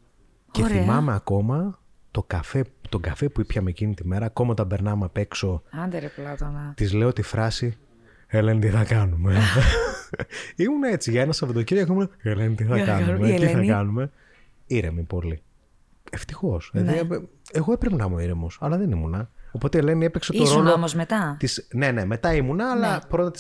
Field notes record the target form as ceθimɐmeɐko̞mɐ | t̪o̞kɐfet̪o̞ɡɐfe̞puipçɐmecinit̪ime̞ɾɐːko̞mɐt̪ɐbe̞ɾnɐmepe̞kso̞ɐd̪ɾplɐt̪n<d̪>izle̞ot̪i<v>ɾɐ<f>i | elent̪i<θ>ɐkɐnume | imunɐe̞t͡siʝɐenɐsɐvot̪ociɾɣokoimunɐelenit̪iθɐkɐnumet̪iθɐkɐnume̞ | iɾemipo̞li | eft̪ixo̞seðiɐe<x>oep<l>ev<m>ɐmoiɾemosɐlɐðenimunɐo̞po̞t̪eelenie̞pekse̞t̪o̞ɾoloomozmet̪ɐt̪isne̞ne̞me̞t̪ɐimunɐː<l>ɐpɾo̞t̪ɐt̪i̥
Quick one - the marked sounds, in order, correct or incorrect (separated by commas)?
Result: incorrect, incorrect, incorrect, correct, incorrect, incorrect, incorrect, correct